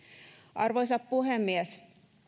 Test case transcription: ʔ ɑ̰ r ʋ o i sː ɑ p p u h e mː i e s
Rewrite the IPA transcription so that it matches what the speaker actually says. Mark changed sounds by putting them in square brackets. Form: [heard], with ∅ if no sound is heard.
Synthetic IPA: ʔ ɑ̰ r ʋ o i [s] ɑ p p u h e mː i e s